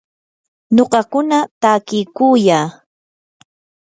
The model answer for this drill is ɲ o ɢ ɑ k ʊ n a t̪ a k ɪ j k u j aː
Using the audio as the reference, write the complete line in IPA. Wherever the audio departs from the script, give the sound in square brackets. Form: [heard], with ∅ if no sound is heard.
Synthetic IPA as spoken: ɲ o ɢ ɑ k ʊ n a t̪ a k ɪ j k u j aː